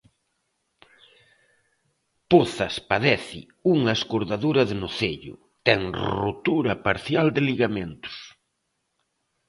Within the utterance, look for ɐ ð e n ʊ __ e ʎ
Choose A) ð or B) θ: B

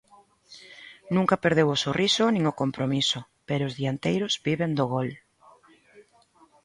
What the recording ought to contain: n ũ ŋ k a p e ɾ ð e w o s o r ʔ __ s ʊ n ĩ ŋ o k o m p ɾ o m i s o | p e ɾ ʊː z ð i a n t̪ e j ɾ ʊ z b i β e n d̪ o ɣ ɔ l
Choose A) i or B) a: A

